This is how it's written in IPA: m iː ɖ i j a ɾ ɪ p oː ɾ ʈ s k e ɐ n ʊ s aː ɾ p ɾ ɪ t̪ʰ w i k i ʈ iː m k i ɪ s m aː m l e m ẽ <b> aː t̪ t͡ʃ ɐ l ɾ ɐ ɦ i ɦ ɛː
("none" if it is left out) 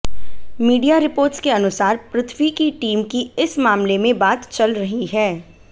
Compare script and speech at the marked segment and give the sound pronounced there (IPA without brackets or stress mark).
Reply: b